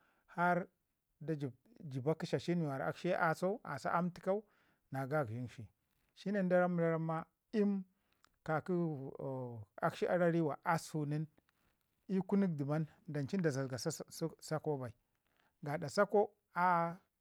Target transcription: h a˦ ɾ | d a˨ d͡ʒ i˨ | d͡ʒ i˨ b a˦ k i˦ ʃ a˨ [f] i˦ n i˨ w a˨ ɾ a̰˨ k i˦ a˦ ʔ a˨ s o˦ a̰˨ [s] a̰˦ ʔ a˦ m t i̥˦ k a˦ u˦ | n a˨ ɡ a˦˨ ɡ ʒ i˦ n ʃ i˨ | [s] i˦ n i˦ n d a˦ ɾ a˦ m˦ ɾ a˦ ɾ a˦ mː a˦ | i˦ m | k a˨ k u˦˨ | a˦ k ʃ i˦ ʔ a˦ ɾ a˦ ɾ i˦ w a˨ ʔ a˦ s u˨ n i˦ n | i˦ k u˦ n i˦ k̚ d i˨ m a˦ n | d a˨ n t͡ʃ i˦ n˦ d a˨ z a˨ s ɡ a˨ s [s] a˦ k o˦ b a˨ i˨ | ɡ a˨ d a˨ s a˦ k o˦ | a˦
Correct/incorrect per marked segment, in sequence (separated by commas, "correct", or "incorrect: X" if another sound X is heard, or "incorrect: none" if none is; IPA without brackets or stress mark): incorrect: ʃ, correct, incorrect: ʃ, correct